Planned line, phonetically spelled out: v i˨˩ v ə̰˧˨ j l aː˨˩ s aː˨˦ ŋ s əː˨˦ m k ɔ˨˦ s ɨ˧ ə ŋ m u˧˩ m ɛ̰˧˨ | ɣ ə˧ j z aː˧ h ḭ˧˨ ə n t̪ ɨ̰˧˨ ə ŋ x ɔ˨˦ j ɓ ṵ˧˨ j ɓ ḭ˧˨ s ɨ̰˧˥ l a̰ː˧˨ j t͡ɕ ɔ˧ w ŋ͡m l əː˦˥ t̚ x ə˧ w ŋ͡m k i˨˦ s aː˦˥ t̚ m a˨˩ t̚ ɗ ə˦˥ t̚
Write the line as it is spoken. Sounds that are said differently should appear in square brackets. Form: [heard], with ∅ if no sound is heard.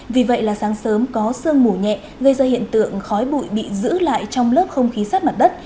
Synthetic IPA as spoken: v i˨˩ v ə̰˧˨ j l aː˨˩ s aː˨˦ ŋ s əː˨˦ m k ɔ˨˦ s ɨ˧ ə ŋ m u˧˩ [ɲ] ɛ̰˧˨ | ɣ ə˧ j z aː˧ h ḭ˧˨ ə n t̪ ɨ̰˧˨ ə ŋ x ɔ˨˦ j ɓ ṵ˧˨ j ɓ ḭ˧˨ [z] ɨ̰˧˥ l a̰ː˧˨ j t͡ɕ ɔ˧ w ŋ͡m l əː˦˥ [p̚] x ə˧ w ŋ͡m [x] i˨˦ s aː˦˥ t̚ m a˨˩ t̚ ɗ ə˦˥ t̚